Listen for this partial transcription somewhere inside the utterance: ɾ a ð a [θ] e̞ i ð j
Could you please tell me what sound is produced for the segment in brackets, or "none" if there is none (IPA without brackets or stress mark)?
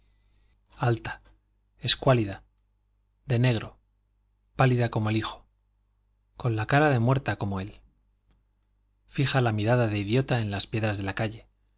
ð